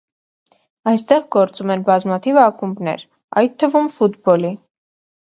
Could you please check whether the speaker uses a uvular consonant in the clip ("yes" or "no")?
yes